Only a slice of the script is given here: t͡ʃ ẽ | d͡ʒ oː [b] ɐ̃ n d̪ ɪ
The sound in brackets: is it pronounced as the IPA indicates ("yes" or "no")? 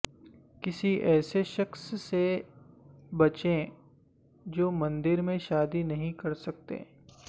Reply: no